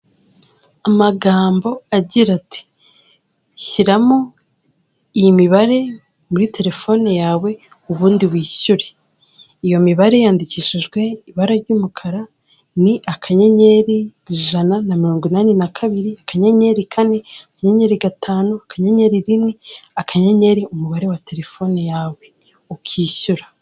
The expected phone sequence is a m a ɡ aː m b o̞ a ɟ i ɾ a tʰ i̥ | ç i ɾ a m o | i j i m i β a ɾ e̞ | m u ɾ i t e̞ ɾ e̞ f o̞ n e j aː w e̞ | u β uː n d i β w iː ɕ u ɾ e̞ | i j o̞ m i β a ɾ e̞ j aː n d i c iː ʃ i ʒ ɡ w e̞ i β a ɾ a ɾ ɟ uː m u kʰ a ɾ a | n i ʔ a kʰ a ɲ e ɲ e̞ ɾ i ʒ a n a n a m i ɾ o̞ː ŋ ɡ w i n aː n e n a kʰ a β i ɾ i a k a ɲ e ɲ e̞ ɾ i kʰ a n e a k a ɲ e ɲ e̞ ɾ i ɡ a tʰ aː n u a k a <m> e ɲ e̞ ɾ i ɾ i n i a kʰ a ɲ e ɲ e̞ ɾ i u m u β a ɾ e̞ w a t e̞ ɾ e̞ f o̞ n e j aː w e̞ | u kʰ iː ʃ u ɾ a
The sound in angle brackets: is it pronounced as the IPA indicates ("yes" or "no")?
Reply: no